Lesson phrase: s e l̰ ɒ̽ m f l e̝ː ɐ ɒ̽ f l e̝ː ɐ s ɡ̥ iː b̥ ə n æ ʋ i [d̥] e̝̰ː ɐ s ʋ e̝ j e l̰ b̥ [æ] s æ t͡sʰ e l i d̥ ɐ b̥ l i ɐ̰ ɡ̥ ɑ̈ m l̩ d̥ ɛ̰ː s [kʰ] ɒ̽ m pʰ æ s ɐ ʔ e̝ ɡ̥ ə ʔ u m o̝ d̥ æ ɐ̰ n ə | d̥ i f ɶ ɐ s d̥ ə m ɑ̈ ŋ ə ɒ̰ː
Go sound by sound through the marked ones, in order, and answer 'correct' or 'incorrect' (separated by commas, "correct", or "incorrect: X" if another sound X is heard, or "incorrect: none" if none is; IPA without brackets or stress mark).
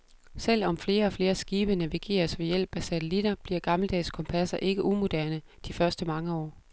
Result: incorrect: ɡ̥, correct, correct